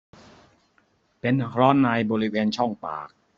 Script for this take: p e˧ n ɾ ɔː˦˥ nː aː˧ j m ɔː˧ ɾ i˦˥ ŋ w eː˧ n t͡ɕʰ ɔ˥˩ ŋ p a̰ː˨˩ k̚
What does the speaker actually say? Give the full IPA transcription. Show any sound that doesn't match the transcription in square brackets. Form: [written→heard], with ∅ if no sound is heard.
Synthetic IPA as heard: p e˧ n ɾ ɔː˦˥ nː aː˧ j [m→b] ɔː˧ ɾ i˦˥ [ŋ→∅] w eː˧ n t͡ɕʰ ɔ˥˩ ŋ p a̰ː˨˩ k̚